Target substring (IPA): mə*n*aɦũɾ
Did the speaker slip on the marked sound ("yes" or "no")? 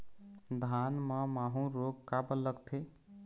yes